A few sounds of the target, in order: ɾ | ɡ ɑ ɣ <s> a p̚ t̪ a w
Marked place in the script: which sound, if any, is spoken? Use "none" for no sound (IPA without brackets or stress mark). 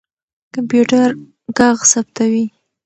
s